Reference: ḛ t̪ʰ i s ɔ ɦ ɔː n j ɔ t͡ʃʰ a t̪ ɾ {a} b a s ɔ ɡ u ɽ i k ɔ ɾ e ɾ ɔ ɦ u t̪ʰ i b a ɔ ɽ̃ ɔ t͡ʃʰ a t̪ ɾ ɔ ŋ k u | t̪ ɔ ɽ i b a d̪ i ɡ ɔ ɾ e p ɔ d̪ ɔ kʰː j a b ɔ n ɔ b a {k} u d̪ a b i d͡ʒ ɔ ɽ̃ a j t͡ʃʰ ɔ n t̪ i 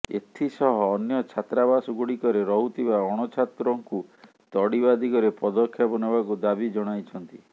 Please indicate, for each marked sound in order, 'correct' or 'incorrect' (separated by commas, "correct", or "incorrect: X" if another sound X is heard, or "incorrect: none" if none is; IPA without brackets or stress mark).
correct, correct